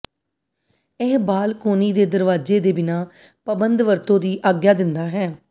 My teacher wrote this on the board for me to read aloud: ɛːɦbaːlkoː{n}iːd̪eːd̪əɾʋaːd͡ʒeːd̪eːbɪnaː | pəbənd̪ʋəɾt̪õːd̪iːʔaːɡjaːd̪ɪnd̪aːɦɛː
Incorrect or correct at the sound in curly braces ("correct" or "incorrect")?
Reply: correct